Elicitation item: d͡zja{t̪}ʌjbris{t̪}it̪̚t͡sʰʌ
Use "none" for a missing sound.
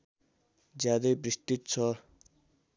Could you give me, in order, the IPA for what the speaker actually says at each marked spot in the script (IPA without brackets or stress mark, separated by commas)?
d̪, t̪